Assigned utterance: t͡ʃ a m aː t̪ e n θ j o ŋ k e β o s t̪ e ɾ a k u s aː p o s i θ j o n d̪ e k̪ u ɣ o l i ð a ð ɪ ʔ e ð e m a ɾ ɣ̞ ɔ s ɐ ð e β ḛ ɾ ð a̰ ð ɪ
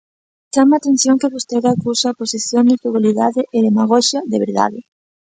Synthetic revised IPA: t͡ʃ a m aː t̪ e n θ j o ŋ k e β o s t̪ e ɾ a k u s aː p o s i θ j o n d̪ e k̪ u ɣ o l i ð a ð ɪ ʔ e ð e m a ɣ̞ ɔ ʃ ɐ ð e β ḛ ɾ ð a̰ ð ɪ